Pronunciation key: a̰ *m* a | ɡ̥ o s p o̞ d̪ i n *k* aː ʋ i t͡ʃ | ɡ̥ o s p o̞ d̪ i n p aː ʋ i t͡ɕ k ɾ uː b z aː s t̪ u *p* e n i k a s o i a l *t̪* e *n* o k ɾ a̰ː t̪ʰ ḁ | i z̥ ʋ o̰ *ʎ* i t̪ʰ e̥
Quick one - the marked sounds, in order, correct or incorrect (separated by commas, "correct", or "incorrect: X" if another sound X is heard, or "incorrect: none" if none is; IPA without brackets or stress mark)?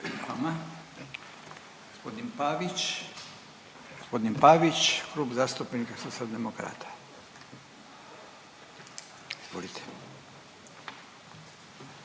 correct, incorrect: p, correct, incorrect: d̪, incorrect: m, incorrect: l